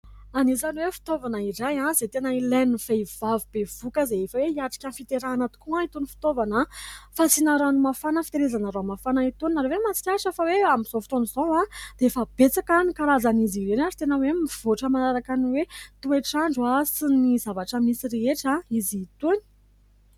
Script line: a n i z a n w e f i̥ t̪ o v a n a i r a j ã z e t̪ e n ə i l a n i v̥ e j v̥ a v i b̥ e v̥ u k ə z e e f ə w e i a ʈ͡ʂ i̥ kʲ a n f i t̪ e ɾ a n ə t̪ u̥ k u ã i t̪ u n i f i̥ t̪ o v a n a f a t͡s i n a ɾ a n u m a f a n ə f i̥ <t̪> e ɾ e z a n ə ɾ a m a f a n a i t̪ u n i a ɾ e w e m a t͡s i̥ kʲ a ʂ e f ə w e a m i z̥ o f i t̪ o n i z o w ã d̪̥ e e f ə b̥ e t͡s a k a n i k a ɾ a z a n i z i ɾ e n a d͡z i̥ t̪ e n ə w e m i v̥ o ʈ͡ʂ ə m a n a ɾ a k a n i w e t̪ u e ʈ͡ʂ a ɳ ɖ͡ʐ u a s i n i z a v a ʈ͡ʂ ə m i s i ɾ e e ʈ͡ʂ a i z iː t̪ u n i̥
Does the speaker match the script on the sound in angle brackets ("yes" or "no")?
yes